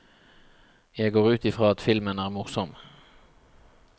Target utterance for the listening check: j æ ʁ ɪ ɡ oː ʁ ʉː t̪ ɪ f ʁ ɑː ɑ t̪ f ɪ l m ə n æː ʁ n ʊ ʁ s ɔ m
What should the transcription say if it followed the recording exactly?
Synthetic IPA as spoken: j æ ɪ ɡ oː ʁ ʉː t̪ ɪ f ʁ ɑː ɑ t̪ f ɪ l m ə n æː ʁ m ʊ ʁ s ɔ m